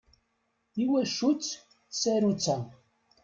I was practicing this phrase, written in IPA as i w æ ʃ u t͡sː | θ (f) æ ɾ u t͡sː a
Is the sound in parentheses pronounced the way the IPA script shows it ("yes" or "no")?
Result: no